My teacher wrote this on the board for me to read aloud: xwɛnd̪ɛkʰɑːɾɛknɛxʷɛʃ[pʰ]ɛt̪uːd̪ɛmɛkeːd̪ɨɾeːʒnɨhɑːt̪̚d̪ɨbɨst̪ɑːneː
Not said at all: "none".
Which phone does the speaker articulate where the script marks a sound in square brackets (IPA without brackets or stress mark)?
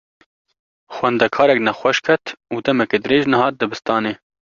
kʰ